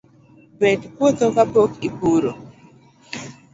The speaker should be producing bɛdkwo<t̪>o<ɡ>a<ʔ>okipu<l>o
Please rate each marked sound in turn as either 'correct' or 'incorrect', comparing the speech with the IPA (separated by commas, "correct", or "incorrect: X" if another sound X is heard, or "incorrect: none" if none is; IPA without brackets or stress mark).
correct, incorrect: k, incorrect: p, incorrect: ɾ